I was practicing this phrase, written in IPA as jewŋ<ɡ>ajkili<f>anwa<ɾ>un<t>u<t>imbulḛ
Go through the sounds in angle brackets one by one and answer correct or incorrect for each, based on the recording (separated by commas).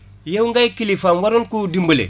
correct, correct, correct, incorrect, incorrect